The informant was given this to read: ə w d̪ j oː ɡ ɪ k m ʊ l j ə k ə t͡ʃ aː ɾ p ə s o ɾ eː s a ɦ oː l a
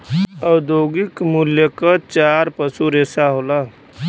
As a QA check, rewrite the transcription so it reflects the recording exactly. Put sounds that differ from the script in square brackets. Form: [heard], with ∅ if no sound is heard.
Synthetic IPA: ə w d̪ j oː ɡ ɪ k m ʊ l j ə k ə t͡ʃ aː ɾ p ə s [u] ɾ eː s a ɦ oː l a